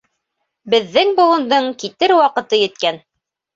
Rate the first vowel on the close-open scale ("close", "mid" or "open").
mid